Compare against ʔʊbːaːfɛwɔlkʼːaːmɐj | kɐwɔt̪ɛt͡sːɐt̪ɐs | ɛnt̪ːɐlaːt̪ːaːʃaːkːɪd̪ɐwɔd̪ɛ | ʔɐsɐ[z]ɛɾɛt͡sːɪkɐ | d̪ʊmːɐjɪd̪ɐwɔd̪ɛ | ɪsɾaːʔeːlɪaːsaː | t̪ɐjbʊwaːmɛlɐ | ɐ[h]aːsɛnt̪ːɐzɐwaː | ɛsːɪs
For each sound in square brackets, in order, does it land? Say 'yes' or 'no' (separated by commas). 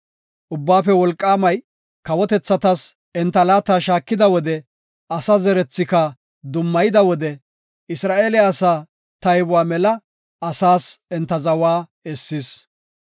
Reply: yes, no